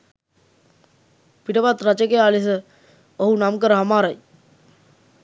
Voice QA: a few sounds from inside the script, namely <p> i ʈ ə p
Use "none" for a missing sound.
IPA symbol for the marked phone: p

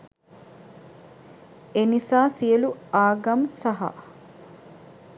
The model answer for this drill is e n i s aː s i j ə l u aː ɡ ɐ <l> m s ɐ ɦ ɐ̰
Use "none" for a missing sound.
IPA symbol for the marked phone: none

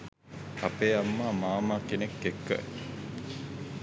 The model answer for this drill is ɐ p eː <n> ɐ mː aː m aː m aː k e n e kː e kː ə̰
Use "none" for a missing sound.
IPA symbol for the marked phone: none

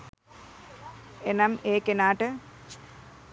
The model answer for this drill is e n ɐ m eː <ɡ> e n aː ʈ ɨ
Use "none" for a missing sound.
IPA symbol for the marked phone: k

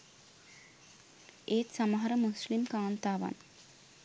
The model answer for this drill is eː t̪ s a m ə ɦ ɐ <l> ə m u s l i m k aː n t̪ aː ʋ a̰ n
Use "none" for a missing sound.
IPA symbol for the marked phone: ɾ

